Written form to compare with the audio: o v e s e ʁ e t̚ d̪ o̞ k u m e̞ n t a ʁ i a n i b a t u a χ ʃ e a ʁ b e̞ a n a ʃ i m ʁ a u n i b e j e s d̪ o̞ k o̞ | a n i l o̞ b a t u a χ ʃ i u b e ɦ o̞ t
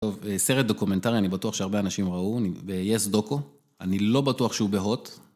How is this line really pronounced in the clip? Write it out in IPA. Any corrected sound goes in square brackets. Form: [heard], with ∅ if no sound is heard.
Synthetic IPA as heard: o v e s e ʁ e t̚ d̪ o̞ k u m e̞ n t a ʁ i a n i b a t u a χ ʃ e a ʁ b e̞ a n a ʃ i m ʁ a u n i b e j e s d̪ o̞ k o̞ | a n i l o̞ b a t u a χ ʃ [e] u b e ɦ o̞ t